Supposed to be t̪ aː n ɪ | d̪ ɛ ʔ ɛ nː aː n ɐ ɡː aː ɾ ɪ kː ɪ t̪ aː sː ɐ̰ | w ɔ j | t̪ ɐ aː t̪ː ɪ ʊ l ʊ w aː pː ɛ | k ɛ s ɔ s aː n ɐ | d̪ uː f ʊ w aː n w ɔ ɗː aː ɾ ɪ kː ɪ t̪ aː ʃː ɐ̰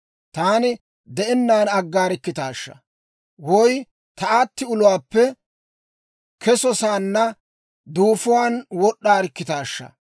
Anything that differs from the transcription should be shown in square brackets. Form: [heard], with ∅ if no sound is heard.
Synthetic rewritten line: t̪ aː n ɪ | d̪ ɛ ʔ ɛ nː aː n ɐ ɡː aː ɾ ɪ kː ɪ t̪ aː [ʃː] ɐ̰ | w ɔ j | t̪ ɐ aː t̪ː ɪ ʊ l ʊ w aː pː ɛ | k ɛ s ɔ s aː [nː] ɐ | d̪ uː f ʊ w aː n w ɔ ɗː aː ɾ ɪ kː ɪ t̪ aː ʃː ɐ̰

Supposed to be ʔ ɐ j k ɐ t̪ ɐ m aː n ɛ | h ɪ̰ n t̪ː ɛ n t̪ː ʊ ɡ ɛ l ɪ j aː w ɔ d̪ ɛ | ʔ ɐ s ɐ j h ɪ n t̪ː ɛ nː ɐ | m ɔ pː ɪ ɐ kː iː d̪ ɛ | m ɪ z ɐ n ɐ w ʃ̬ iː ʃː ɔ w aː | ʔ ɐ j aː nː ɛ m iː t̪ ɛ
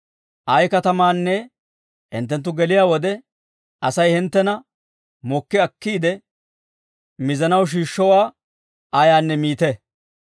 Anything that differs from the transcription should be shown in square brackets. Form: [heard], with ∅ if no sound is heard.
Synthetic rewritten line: ʔ ɐ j k ɐ t̪ ɐ m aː [nː] ɛ | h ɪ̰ n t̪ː ɛ n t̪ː ʊ ɡ ɛ l ɪ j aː w ɔ d̪ ɛ | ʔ ɐ s ɐ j h ɪ n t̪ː ɛ [n] ɐ | m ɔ [kː] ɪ ɐ kː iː d̪ ɛ | m ɪ z ɐ n ɐ w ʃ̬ iː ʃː ɔ w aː | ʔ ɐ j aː nː ɛ m iː t̪ ɛ

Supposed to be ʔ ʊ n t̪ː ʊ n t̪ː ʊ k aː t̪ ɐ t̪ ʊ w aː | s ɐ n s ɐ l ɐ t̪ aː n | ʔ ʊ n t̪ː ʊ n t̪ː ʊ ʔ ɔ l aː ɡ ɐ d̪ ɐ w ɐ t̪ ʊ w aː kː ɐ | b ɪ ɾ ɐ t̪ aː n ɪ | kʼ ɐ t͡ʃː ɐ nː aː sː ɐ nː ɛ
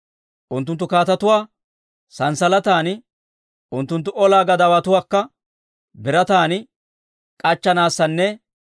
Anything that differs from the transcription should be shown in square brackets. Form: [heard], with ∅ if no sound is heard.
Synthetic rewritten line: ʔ ʊ n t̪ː ʊ n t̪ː ʊ k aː t̪ ɐ t̪ ʊ w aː | s ɐ n s ɐ l ɐ t̪ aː n | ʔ ʊ n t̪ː ʊ n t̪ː ʊ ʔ ɔ l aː ɡ ɐ d̪ ɐ w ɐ t̪ ʊ w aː kː ɐ | b ɪ ɾ ɐ t̪ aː n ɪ | kʼ ɐ t͡ʃː ɐ [n] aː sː ɐ nː ɛ

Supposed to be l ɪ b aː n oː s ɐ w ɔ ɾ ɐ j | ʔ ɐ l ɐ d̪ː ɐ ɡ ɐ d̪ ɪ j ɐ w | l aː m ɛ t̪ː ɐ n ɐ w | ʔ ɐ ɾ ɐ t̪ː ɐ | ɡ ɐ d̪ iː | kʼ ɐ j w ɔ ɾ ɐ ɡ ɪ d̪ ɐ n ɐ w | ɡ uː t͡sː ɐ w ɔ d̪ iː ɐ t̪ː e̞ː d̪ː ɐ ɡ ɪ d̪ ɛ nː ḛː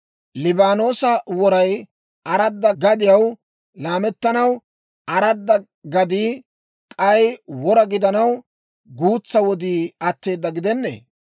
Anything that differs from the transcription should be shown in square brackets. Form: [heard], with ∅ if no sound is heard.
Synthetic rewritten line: l ɪ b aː n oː s ɐ w ɔ ɾ ɐ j | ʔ ɐ [ɾ] ɐ d̪ː ɐ ɡ ɐ d̪ ɪ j ɐ w | l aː m ɛ t̪ː ɐ n ɐ w | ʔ ɐ ɾ ɐ [d̪ː] ɐ | ɡ ɐ d̪ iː | kʼ ɐ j w ɔ ɾ ɐ ɡ ɪ d̪ ɐ n ɐ w | ɡ uː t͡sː ɐ w ɔ d̪ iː ɐ t̪ː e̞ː d̪ː ɐ ɡ ɪ d̪ ɛ nː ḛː

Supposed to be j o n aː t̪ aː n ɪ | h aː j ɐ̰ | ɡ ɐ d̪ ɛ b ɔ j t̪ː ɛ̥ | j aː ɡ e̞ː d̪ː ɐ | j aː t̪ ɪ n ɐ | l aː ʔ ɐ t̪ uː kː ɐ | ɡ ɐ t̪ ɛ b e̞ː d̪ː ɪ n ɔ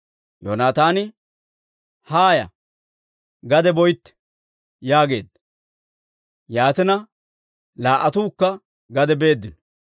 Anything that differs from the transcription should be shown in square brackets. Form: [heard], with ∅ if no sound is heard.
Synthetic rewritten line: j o n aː t̪ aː n ɪ | h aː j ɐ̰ | ɡ ɐ d̪ ɛ b ɔ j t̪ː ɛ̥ | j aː ɡ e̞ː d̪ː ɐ | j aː t̪ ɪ n ɐ | l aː ʔ ɐ t̪ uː kː ɐ | ɡ ɐ [d̪] ɛ b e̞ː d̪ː ɪ n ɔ

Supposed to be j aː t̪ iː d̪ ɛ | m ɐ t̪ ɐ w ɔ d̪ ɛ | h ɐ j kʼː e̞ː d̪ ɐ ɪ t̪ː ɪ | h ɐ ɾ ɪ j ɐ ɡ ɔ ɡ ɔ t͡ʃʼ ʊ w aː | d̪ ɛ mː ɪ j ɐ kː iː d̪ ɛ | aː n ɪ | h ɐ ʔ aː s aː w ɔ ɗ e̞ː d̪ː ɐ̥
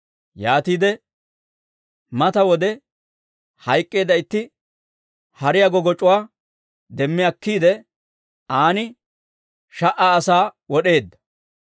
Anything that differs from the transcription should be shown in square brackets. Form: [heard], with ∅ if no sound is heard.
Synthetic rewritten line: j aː t̪ iː d̪ ɛ | m ɐ t̪ ɐ w ɔ d̪ ɛ | h ɐ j kʼː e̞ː d̪ ɐ ɪ t̪ː ɪ | h ɐ ɾ ɪ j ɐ ɡ ɔ ɡ ɔ t͡ʃʼ ʊ w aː | d̪ ɛ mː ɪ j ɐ kː iː d̪ ɛ | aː n ɪ | [ʃ] ɐ ʔ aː s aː w ɔ ɗ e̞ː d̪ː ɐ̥

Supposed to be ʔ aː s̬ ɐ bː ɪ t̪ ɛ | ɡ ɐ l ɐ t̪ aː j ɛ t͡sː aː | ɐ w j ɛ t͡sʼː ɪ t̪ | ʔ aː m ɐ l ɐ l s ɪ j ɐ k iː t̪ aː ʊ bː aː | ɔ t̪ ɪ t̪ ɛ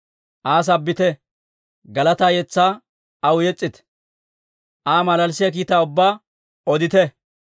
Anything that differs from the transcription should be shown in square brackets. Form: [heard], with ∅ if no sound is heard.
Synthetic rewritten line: ʔ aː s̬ ɐ bː ɪ t̪ ɛ | ɡ ɐ l ɐ t̪ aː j ɛ t͡sː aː | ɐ w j ɛ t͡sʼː ɪ t̪ | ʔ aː m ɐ l ɐ l s ɪ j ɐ k iː t̪ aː ʊ bː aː | ɔ [d̪] ɪ t̪ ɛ

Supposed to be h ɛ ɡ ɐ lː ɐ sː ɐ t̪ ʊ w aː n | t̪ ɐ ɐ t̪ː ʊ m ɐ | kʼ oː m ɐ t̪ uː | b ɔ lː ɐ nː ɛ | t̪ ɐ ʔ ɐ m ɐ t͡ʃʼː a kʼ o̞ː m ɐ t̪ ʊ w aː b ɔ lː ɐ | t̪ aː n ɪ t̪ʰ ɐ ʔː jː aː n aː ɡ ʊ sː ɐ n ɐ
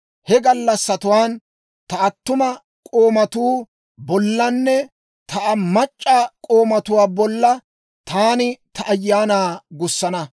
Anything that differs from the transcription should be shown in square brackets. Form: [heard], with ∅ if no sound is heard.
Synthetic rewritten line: h ɛ ɡ ɐ lː ɐ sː ɐ t̪ ʊ w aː n | t̪ ɐ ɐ t̪ː ʊ m ɐ | kʼ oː m ɐ t̪ uː | b ɔ lː ɐ nː ɛ | t̪ ɐ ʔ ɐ m ɐ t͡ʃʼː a kʼ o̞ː m ɐ t̪ ʊ w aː b ɔ lː ɐ | t̪ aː n ɪ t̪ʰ ɐ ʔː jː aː n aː ɡ ʊ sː ɐ n ɐ

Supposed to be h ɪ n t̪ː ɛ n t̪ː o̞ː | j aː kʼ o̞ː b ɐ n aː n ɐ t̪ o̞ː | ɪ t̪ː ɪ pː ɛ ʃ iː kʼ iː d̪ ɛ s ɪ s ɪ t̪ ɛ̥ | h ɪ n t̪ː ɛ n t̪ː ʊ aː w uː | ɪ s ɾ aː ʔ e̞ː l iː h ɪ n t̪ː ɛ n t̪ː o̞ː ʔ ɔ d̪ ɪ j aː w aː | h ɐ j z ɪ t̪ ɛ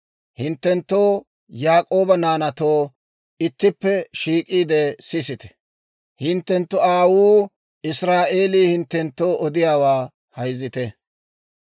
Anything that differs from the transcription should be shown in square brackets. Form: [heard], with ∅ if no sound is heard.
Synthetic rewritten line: h ɪ n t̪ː ɛ n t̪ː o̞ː | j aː kʼ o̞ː b ɐ n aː n ɐ t̪ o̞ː | ɪ t̪ː ɪ pː ɛ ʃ iː kʼ iː d̪ ɛ s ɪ s ɪ t̪ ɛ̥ | h ɪ n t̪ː ɛ n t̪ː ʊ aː w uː | ɪ s ɾ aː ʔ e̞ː l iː h ɪ n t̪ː ɛ n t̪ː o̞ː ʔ ɔ d̪ ɪ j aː w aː | h ɐ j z ɪ t̪ ɛ

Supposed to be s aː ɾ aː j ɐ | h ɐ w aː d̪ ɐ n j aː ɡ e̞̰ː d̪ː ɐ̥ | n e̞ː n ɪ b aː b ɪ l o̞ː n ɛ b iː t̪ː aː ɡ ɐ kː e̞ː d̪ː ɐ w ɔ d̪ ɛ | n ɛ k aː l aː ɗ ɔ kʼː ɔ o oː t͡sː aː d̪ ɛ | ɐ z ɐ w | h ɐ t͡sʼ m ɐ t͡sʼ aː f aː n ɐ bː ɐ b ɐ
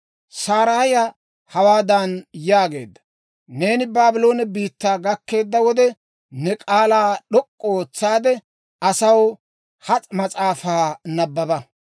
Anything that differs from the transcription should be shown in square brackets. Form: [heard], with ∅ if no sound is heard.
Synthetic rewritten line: s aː ɾ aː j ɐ | h ɐ w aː d̪ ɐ n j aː ɡ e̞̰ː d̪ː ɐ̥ | n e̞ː n ɪ b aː b ɪ l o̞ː n ɛ b iː t̪ː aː ɡ ɐ kː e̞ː d̪ː ɐ w ɔ d̪ ɛ | n ɛ [kʼ] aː l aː ɗ ɔ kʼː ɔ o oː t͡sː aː d̪ ɛ | ɐ [s] ɐ w | h ɐ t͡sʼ m ɐ t͡sʼ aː f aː n ɐ bː ɐ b ɐ

